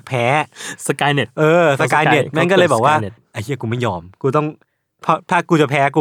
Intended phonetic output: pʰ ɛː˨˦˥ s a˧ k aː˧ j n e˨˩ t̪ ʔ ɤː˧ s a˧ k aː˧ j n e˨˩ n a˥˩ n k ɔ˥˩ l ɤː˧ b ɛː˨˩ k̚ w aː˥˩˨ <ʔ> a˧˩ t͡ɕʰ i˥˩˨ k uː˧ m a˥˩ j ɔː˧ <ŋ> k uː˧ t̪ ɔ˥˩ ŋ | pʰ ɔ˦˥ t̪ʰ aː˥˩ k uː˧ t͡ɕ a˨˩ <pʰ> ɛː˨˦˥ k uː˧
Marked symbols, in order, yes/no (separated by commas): yes, no, yes